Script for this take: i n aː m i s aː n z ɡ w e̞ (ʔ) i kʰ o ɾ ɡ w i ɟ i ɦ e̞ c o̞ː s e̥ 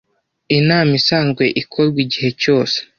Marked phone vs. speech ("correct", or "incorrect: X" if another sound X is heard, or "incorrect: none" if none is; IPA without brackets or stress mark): correct